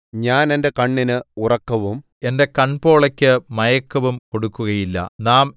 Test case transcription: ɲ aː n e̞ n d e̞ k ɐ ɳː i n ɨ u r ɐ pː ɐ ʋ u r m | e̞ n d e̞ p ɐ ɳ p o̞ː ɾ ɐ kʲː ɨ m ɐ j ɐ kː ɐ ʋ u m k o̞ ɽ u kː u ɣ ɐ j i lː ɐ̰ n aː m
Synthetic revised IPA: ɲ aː n e̞ n d e̞ k ɐ ɳː i n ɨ u r ɐ kː ɐ ʋ u m | e̞ n d e̞ k ɐ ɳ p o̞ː ɭ ɐ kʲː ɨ m ɐ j ɐ kː ɐ ʋ u m k o̞ ɽ u kː u ɣ ɐ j i lː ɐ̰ n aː m